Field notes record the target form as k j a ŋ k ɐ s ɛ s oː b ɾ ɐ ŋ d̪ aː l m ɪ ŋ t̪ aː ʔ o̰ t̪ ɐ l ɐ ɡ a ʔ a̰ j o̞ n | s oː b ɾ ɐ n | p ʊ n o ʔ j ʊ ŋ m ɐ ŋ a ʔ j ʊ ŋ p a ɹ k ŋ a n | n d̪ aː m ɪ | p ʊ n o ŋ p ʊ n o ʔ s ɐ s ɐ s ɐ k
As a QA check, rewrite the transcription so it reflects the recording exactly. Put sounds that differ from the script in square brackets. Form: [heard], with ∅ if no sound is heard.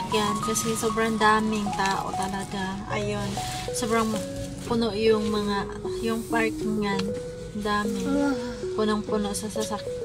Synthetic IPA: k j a [n] k ɐ s ɛ s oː b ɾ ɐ ŋ d̪ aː [∅] m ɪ ŋ t̪ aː ʔ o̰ t̪ ɐ l ɐ ɡ a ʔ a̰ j o̞ n | s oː b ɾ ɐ [ŋ] | p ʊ n o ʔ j ʊ ŋ m ɐ ŋ a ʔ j ʊ ŋ p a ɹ k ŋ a n | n d̪ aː m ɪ | p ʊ n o ŋ p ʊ n o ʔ s ɐ s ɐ s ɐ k